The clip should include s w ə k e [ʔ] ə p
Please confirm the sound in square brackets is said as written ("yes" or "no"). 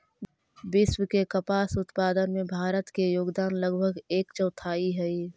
no